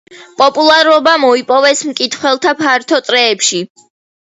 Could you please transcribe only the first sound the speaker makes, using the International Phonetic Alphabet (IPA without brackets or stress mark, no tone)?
pʼ